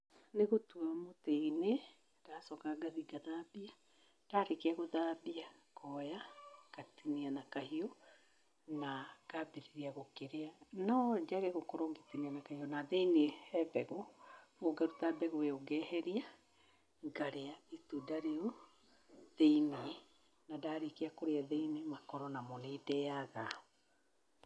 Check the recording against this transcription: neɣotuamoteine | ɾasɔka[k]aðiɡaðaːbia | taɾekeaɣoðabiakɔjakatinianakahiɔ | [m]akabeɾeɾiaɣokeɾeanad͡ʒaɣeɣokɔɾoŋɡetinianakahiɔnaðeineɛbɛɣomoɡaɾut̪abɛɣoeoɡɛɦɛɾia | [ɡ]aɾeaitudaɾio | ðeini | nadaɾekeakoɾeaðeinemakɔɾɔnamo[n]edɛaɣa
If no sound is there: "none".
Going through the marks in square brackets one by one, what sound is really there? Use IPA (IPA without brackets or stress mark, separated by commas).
ɡ, n, ɡ, n